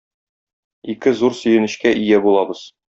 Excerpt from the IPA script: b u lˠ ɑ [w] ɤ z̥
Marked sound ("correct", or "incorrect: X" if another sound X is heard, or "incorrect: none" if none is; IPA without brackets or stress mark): incorrect: b